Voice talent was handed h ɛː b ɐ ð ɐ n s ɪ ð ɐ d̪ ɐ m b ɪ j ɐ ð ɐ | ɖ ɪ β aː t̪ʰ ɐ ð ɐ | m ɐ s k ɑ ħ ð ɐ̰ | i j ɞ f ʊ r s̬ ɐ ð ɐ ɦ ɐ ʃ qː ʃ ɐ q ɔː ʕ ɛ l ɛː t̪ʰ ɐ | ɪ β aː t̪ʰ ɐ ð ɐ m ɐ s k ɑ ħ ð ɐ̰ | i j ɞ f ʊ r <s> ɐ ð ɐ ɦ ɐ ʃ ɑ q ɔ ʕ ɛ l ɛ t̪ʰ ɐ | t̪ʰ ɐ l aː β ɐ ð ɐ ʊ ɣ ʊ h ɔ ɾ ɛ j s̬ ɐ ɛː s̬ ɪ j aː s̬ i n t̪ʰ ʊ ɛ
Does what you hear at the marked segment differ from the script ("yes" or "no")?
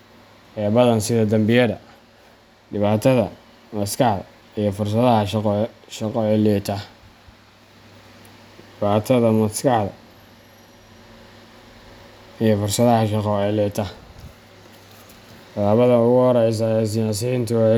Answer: no